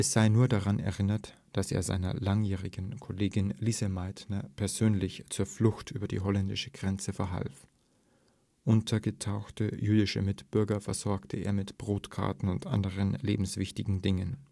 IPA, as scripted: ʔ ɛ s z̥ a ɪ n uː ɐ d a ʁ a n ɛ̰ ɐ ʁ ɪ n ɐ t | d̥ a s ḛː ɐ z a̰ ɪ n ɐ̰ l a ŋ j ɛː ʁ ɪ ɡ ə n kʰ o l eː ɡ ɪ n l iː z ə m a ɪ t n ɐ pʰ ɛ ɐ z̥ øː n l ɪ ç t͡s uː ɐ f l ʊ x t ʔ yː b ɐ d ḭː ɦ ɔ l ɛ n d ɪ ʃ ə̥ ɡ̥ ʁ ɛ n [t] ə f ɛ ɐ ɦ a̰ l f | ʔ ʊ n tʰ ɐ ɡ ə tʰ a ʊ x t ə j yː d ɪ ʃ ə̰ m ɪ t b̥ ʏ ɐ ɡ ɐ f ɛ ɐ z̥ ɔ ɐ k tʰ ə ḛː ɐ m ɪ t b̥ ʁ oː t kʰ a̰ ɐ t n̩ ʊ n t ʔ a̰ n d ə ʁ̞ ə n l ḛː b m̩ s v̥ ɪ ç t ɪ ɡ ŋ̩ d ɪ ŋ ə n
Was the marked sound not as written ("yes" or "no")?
yes